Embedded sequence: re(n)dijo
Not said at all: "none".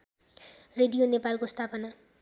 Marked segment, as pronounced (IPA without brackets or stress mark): none